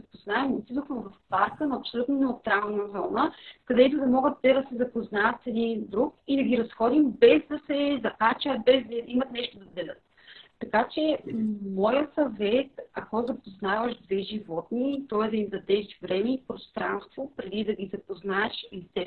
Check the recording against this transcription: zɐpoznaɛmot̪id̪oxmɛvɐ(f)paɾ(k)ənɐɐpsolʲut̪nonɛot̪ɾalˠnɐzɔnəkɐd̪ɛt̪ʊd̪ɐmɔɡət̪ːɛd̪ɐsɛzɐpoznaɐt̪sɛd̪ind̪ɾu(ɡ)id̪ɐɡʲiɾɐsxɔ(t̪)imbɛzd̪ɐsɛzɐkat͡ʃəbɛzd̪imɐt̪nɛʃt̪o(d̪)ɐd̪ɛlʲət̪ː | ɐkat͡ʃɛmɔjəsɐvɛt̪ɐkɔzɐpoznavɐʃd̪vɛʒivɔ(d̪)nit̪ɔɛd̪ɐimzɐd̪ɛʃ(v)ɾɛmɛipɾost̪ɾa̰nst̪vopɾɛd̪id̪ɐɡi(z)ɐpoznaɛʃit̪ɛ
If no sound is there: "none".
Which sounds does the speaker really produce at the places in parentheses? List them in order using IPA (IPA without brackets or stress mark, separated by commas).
f, k, k, d̪, d̪, t̪, v, z